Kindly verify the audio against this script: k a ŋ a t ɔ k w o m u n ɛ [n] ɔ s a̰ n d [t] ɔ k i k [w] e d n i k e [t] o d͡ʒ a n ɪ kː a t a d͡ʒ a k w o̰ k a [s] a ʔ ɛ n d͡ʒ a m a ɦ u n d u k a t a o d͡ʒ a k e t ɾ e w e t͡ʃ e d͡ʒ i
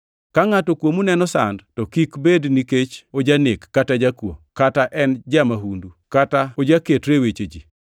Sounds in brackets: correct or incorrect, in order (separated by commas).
correct, correct, incorrect, incorrect, incorrect